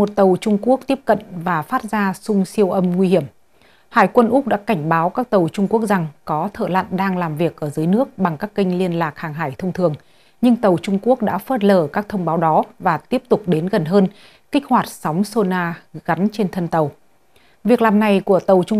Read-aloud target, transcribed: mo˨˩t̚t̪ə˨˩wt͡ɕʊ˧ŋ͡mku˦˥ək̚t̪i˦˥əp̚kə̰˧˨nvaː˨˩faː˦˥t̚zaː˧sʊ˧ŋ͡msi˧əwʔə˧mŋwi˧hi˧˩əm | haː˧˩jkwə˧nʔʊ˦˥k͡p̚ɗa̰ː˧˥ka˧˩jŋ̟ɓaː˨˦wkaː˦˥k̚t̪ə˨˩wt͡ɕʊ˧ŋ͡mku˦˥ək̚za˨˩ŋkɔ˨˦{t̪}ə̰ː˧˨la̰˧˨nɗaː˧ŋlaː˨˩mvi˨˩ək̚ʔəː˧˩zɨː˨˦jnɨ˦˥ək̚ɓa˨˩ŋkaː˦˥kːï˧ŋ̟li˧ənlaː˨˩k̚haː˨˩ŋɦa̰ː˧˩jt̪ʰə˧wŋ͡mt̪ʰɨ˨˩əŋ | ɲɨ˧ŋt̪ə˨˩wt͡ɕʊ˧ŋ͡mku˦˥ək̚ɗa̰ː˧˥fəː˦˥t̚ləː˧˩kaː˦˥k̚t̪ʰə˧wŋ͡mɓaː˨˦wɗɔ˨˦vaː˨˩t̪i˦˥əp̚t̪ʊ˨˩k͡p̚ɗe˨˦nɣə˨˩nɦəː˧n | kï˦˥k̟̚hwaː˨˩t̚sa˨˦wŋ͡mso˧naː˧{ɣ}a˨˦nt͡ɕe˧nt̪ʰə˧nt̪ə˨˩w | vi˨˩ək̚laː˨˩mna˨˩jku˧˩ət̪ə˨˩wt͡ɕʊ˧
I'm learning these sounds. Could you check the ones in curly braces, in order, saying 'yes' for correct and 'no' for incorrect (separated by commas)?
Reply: no, yes